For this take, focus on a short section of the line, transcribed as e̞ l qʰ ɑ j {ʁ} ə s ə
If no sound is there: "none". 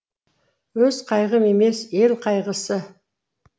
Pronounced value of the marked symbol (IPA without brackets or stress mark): ʁ